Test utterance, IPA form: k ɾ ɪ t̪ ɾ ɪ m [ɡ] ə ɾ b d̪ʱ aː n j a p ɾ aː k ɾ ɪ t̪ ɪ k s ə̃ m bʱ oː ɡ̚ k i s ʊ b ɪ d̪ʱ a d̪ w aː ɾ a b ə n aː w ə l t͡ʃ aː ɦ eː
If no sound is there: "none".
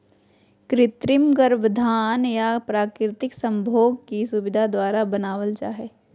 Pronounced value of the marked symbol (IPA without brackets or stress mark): ɡ